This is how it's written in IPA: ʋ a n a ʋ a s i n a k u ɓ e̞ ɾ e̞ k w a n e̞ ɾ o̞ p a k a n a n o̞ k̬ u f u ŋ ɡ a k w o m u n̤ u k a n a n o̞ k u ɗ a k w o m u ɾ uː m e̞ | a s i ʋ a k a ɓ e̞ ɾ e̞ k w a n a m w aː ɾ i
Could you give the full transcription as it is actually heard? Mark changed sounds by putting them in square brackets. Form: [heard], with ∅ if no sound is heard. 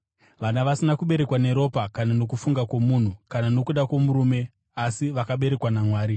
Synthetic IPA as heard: ʋ a n a ʋ a s i n a k u ɓ e̞ ɾ e̞ k w a n e̞ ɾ o̞ p a k a n a n o̞ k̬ u f u ŋ ɡ a k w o m u n̤ u k a n a n o̞ k u ɗ a k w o m u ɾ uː m e̞ | a s i ʋ a k a ɓ e̞ ɾ e̞ k w a n a m w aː ɾ i